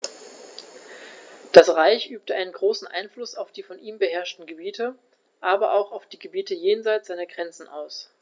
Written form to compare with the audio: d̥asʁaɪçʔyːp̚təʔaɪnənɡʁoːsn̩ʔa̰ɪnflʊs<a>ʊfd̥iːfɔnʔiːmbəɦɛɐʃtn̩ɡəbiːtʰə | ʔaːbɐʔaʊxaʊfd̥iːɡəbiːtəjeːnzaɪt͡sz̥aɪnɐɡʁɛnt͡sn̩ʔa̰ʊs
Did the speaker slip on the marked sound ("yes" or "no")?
no